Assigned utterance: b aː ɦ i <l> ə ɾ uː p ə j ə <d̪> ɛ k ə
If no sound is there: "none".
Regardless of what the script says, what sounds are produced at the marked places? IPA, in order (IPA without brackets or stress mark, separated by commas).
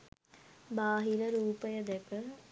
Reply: l, d̪